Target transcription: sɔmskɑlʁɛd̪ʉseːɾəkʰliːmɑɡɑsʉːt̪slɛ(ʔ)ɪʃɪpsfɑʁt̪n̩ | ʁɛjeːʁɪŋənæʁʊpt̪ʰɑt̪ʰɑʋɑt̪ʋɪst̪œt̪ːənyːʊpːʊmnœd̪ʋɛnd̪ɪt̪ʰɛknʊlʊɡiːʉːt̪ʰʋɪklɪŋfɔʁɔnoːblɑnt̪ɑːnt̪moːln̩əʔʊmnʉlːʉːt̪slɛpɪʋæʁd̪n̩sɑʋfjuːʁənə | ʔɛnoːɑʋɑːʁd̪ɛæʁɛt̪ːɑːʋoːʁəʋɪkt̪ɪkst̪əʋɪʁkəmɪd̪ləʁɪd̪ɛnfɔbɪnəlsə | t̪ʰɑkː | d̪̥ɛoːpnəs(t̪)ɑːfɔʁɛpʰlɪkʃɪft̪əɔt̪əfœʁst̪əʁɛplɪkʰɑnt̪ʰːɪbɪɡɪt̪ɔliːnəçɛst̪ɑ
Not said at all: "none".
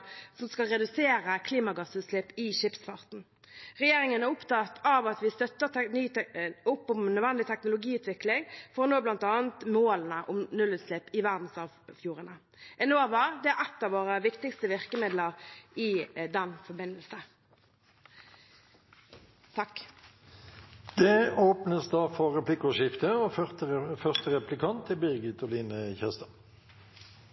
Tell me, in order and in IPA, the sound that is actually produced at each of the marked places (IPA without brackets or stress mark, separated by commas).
p, d̪